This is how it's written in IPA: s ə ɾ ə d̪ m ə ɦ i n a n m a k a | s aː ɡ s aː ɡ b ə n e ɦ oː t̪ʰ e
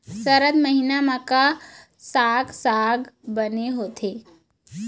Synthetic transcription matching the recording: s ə ɾ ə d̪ m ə ɦ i n a m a k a | s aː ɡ s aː ɡ b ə n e ɦ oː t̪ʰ e